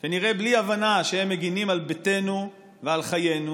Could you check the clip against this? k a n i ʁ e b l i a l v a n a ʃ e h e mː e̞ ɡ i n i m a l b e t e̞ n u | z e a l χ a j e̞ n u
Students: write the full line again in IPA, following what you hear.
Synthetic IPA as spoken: k a n i ʁ e b l i a v a n a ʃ e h e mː e̞ ɡ i n i m a l b e t e̞ n u | v e a l χ a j e̞ n u

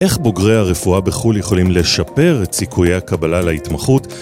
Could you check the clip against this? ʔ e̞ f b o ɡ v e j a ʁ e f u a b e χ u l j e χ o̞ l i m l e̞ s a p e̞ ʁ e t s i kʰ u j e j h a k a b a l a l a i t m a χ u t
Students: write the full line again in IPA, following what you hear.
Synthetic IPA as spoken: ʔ e̞ χ b o ɡ ʁ e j a ʁ e f u a b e χ u l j e χ o̞ l i m l e̞ ʃ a p e̞ ʁ e t s i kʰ u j e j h a k a b a l a l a i t m a χ u t

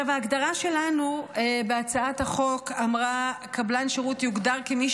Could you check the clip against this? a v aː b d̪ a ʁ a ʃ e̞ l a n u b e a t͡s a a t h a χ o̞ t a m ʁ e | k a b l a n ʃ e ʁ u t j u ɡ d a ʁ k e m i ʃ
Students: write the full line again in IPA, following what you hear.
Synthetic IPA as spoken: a v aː ɡ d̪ a ʁ a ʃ e̞ l a n u b e a t͡s a a t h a χ o̞ k a m ʁ a | k a b l a n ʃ e ʁ u t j u ɡ d a ʁ k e m i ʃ

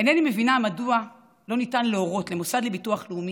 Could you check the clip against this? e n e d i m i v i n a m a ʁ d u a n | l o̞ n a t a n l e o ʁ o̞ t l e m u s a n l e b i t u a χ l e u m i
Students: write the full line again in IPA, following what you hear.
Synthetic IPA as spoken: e n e n i m e v i n a m a d u a | l o̞ n i t a n l e o ʁ o̞ t l e m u s a d l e b i t u a χ l e u m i

